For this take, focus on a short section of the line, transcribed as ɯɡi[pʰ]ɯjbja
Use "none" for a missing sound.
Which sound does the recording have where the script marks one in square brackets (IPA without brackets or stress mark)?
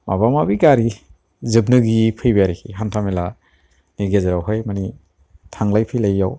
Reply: pʰ